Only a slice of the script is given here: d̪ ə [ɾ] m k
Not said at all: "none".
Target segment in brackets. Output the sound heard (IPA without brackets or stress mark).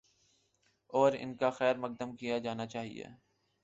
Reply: none